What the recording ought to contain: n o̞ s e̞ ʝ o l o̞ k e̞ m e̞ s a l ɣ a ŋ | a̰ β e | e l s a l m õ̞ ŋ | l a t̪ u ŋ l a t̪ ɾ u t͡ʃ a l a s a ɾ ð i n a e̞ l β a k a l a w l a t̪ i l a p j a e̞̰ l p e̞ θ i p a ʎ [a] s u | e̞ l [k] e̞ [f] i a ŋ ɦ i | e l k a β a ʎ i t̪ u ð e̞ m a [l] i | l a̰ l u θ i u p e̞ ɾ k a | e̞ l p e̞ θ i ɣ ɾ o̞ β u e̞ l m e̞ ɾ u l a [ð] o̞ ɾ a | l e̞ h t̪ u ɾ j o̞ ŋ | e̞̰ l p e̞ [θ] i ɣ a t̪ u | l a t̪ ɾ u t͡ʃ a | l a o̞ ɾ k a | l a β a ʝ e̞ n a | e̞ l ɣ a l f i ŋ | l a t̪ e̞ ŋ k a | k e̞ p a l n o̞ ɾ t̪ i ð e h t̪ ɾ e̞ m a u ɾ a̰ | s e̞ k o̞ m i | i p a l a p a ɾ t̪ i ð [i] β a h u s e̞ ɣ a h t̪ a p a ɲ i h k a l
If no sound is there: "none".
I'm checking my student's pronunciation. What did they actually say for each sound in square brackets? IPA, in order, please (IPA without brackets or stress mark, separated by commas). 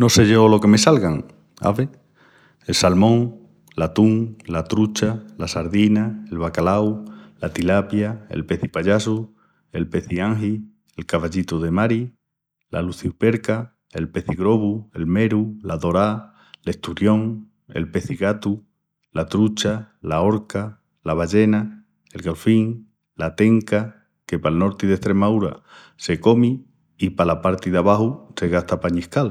a, p, θ, ɾ, ð, θ, a